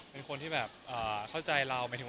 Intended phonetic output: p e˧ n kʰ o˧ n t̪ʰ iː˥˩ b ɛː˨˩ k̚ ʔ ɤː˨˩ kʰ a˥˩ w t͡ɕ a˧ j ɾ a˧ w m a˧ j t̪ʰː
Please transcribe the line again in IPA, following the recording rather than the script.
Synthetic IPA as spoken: p e˧ n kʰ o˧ n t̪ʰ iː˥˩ b ɛː˨˩ p̚ ʔ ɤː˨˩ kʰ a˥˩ w t͡ɕ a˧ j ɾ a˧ w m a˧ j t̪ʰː